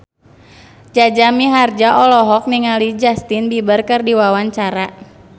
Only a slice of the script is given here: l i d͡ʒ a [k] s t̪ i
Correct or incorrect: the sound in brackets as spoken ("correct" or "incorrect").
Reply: incorrect